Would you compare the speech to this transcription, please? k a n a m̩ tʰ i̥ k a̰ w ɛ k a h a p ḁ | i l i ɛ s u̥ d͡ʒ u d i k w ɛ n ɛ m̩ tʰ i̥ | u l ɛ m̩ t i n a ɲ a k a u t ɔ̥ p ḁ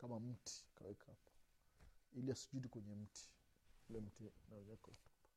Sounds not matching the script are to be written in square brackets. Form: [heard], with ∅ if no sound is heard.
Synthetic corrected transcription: k a [m] a m̩ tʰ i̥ k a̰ w ɛ k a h a p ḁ | i l i [a] s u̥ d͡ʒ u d i k w ɛ [ɲ] ɛ m̩ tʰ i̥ | u l ɛ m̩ t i n a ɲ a k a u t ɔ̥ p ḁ